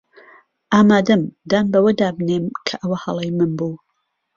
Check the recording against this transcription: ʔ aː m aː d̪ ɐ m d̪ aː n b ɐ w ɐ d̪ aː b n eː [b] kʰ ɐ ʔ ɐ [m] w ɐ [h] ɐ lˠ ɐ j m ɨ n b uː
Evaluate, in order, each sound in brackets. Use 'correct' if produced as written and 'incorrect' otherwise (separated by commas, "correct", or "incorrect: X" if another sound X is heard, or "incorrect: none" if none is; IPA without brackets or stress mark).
incorrect: m, incorrect: none, correct